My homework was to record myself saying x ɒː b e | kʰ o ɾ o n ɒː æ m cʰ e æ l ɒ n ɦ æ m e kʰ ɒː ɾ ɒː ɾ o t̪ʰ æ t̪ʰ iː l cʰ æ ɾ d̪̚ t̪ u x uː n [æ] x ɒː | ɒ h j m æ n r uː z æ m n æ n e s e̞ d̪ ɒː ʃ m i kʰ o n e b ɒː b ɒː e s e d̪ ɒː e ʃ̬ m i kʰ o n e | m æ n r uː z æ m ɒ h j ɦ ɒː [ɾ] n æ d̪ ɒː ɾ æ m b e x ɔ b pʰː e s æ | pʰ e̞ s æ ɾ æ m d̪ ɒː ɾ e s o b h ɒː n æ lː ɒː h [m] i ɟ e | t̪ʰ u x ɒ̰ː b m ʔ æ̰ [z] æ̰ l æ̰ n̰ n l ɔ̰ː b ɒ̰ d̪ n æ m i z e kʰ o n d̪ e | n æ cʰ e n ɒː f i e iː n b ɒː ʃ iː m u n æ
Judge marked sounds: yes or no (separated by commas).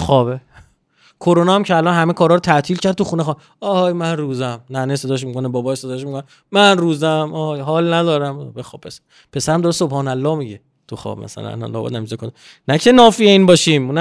no, no, yes, no